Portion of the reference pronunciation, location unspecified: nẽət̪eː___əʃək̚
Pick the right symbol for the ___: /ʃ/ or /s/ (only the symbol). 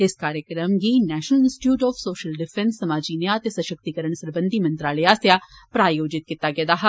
s